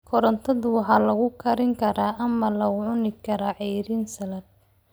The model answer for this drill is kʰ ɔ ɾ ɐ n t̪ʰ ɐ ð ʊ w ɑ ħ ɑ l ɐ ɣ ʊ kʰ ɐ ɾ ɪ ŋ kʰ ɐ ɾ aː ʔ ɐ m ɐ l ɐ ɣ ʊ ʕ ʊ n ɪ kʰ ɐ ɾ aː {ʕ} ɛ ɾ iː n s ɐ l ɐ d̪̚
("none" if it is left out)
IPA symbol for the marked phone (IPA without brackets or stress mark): ʕ